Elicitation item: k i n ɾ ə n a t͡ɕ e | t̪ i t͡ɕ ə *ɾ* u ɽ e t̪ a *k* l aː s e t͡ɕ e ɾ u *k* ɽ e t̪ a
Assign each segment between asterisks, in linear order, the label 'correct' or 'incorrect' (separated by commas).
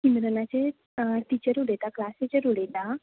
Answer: correct, correct, incorrect